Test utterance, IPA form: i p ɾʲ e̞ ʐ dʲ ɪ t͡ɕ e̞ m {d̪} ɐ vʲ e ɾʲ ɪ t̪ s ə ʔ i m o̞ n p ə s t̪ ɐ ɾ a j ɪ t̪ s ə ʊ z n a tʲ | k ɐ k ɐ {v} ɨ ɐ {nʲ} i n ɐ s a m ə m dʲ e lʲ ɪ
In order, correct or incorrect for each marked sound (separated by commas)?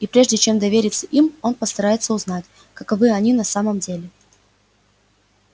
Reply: correct, correct, correct